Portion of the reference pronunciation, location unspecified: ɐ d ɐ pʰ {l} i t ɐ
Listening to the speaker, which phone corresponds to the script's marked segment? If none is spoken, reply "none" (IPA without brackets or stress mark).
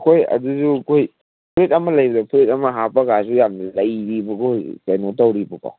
ɾ